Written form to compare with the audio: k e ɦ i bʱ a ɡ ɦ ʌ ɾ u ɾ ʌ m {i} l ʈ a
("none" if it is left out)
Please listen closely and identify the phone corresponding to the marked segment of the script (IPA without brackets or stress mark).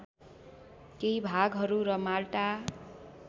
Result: a